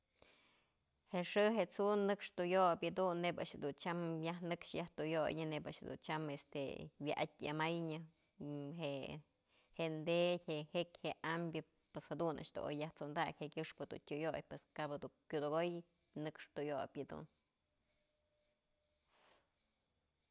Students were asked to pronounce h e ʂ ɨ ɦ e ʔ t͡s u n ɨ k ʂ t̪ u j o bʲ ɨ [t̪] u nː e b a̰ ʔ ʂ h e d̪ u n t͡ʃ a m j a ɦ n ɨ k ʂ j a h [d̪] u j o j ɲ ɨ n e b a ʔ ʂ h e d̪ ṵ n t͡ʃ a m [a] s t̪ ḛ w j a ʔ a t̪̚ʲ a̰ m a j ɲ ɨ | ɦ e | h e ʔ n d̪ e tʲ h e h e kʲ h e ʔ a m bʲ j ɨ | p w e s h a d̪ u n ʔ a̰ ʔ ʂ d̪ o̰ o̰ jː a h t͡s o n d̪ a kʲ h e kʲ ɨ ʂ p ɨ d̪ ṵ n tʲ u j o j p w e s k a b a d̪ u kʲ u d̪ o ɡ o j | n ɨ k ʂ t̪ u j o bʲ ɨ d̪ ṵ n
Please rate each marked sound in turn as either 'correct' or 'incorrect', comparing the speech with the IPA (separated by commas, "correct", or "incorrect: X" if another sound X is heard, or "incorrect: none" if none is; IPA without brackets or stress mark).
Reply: incorrect: d̪, incorrect: t̪, incorrect: e